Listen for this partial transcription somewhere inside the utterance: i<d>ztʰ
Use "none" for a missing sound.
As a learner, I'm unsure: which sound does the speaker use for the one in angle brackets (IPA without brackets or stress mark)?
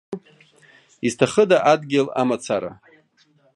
none